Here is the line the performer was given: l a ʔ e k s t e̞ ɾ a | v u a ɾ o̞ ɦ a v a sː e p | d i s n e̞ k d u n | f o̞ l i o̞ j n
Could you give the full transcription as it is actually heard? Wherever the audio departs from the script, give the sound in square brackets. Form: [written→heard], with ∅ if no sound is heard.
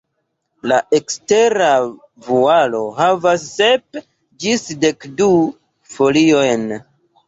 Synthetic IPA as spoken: l a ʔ e k s t e̞ ɾ a | v u a [ɾ→l] o̞ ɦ a v a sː e p | [d→d͡ʒ] i s [n→d] e̞ k d u [n→∅] | f o̞ l i o̞ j n